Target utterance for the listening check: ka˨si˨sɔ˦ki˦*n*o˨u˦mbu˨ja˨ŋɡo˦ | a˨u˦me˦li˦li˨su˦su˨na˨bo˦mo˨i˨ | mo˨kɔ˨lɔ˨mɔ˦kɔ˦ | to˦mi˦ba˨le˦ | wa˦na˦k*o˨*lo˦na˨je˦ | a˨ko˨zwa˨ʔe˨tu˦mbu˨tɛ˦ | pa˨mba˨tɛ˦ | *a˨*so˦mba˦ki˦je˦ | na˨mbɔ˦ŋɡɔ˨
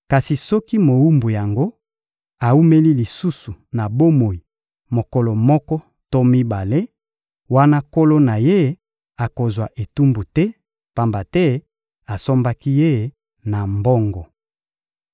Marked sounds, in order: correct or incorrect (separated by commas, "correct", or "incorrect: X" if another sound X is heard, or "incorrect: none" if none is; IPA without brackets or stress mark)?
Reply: incorrect: m, incorrect: o˦, correct